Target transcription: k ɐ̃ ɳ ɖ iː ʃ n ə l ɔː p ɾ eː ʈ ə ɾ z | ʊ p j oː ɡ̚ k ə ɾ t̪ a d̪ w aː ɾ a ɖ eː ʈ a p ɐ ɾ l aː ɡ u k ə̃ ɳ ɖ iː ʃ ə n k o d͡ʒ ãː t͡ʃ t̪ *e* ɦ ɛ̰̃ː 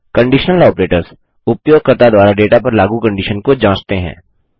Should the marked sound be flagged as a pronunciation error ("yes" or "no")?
no